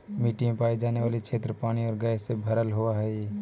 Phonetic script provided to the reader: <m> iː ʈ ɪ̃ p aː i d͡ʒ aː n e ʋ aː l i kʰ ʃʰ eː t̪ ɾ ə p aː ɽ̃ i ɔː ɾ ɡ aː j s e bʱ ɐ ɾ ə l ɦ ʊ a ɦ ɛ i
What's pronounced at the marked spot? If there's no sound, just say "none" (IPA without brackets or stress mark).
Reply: m